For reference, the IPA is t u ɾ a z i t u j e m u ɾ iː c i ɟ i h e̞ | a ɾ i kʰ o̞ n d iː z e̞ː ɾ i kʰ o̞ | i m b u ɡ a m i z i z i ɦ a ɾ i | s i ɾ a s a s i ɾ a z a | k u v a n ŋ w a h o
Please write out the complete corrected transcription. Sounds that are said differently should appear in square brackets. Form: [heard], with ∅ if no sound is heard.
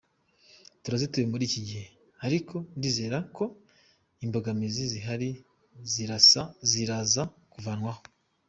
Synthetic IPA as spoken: t u ɾ a z i t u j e m u ɾ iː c i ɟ i h e̞ | a ɾ i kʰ o̞ n d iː z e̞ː ɾ [a] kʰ o̞ | i m b [o] ɡ a m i z i z i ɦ a ɾ i | [z] i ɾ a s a [z] i ɾ a z a | k u v a n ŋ w a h o